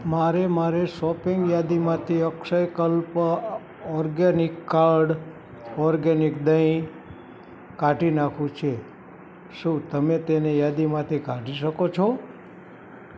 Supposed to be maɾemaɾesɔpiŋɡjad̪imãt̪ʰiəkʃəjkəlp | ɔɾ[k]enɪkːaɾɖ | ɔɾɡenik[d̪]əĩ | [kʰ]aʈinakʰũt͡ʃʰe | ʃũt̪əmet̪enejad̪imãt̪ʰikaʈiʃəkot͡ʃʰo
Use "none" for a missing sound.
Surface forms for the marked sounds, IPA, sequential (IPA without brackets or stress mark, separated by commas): ɡ, d̪, k